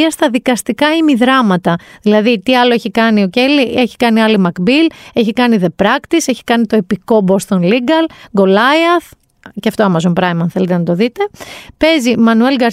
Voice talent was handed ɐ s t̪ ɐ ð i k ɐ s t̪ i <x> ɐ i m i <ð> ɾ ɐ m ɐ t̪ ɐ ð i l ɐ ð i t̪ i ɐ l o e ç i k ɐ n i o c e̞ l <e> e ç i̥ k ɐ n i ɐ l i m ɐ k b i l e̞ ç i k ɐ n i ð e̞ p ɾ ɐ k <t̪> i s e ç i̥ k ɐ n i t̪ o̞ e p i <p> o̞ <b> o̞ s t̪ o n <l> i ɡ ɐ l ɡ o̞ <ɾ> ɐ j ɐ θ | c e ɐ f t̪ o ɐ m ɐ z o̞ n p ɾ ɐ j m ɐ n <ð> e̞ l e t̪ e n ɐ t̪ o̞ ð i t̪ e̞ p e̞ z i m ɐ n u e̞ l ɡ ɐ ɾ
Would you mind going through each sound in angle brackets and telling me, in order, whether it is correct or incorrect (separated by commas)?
incorrect, correct, incorrect, correct, incorrect, correct, correct, incorrect, incorrect